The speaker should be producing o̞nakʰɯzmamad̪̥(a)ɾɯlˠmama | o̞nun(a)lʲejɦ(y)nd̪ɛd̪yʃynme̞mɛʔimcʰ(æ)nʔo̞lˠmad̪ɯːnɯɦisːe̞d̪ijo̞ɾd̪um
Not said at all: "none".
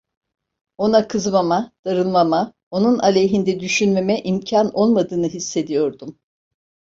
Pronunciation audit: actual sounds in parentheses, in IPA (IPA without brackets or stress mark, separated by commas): a, a, i, a